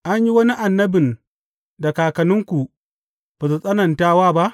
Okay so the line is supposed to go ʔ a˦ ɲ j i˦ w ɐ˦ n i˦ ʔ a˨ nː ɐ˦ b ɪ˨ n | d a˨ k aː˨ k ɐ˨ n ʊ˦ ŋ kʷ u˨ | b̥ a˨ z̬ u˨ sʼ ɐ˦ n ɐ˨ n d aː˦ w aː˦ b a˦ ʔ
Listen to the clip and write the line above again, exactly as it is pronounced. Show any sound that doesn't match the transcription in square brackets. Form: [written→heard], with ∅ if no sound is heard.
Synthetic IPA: ʔ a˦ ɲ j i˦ w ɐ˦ n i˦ ʔ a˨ nː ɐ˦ b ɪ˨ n | d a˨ k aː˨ k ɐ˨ n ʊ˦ ŋ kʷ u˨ | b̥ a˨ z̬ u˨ sʼ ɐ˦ n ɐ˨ n [d→t] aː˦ w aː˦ b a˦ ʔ